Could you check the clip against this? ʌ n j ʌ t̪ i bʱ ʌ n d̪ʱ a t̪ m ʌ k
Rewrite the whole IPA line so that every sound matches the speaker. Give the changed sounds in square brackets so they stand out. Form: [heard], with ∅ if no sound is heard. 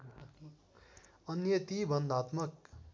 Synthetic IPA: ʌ n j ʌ t̪ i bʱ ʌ n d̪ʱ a t̪ m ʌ k

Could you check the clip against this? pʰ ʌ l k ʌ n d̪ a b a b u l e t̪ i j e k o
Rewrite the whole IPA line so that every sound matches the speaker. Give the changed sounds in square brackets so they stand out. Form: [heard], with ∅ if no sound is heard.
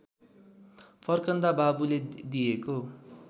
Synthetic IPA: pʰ ʌ [r] k ʌ n d̪ a b a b u l e [d̪] i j e k o

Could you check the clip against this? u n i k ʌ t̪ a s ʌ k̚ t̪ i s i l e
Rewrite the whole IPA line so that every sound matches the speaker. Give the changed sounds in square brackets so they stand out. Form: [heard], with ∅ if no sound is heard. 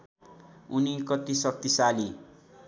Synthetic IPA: u n i k ʌ t̪ [i] s ʌ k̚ t̪ i s [a] l [i]

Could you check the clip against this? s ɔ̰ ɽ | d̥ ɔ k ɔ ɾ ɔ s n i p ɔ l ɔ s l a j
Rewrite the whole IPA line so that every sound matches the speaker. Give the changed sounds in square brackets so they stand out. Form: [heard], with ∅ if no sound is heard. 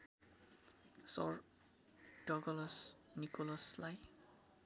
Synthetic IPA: s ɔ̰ [ɹ] | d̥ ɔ [ɡ] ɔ [l] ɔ s n i [k] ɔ l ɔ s l a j

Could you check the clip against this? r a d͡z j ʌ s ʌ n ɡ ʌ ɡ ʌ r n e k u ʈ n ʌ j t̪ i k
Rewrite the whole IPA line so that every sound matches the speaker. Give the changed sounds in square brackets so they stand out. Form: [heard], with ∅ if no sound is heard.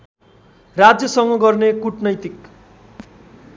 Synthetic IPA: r a d͡z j ʌ s ʌ [ŋ] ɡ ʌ ɡ ʌ r n e k u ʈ n ʌ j t̪ i k

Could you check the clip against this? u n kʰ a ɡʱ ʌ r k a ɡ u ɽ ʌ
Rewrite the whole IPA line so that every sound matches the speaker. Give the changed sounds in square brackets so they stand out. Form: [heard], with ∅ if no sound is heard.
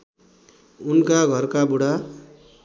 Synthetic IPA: u n [k] a ɡʱ ʌ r k a [b] u ɽ [a]

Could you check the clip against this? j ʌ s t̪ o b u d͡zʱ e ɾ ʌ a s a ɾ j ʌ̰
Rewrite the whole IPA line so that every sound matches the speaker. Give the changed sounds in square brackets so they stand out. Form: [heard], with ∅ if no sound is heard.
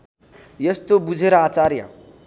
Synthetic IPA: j ʌ s t̪ o b u d͡zʱ e ɾ ʌ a [t͡s] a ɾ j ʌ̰

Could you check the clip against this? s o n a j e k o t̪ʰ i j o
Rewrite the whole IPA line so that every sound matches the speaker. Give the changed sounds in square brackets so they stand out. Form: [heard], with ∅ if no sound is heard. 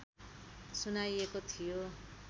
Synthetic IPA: s [u] n a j e k o t̪ʰ i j o

